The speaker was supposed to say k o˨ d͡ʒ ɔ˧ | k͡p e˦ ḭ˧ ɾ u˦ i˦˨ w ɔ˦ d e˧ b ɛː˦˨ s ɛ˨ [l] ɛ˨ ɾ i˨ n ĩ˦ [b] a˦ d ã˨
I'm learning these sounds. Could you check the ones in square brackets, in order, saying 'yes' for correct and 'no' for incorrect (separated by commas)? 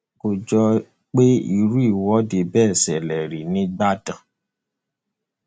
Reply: yes, no